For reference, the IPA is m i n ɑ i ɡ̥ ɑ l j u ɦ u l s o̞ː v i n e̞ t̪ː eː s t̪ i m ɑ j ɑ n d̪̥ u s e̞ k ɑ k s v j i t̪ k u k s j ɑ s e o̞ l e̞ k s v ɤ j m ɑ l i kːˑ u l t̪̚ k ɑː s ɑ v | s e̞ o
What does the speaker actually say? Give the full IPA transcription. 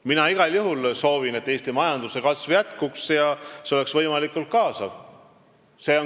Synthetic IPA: m i n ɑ i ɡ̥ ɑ l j u ɦ u l s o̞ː v i n e̞ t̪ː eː s t̪ i m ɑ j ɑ n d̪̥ u s e̞ k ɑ s v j æ t̪ k u k s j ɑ s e o̞ l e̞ k s v ɤ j m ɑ l i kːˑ u l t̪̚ k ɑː s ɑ v | s e̞ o